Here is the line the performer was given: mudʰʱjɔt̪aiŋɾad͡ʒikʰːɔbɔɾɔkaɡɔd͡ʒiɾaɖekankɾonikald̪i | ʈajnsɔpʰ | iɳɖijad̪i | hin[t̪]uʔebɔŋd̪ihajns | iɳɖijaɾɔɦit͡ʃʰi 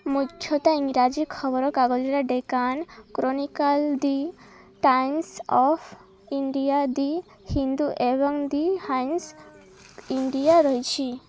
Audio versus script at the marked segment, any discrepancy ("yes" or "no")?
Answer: yes